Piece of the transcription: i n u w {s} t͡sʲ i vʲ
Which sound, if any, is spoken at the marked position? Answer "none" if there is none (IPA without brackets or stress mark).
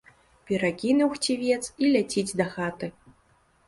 x